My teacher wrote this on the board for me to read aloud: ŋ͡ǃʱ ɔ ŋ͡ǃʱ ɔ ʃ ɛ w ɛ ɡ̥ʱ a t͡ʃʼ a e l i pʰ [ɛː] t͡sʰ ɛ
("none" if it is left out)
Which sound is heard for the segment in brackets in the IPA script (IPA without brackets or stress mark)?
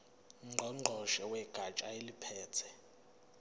ɛː